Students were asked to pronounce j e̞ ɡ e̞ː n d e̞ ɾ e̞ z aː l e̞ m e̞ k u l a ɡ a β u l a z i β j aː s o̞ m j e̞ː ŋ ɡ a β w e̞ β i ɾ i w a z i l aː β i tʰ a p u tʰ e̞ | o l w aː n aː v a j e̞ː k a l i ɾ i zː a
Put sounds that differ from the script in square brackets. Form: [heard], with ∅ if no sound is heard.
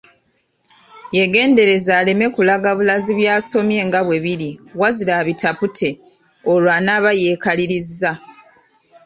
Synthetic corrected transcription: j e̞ ɡ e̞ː n d e̞ ɾ e̞ z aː l e̞ m e̞ k u l a ɡ a β u l a z i β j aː s o̞ m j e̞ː ŋ ɡ a β w e̞ β i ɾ i w a z i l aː β i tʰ a p u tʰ e̞ | o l w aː n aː [β] a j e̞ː k a l i ɾ i zː a